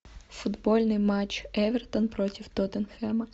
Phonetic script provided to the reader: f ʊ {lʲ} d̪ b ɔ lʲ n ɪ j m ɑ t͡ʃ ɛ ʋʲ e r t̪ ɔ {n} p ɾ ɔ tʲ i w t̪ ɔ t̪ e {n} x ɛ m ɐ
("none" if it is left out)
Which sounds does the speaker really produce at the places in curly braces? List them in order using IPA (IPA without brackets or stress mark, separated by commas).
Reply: none, n, n